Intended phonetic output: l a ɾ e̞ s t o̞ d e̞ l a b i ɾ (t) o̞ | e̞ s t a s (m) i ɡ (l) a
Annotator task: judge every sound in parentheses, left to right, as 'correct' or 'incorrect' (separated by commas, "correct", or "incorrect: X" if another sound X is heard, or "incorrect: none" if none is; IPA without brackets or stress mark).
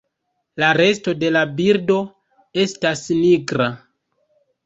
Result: incorrect: d, incorrect: n, incorrect: ɾ